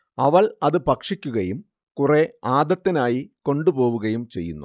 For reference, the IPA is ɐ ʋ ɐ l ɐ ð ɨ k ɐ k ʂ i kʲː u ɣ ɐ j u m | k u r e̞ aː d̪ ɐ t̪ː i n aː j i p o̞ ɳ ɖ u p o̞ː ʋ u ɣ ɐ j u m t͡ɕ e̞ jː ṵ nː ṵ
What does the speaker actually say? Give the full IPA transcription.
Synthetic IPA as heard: ɐ ʋ ɐ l ɐ ð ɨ p ɐ k ʂ i kʲː u ɣ ɐ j u m | k u r e̞ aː d̪ ɐ t̪ː i n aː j i k o̞ ɳ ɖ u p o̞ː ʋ u ɣ ɐ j u m t͡ɕ e̞ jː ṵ nː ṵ